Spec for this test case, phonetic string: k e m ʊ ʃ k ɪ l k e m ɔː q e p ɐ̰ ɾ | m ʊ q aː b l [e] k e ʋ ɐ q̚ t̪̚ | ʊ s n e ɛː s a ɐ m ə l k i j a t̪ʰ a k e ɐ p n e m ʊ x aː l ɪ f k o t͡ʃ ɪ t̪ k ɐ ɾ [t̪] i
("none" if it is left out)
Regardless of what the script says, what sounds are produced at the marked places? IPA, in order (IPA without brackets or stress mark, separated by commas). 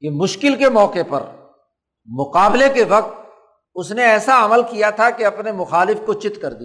e, d̪